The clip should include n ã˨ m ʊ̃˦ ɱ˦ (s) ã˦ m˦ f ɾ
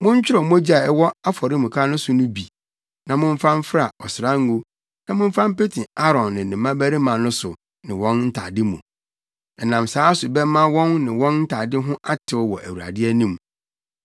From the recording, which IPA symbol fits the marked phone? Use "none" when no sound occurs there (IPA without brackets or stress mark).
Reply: f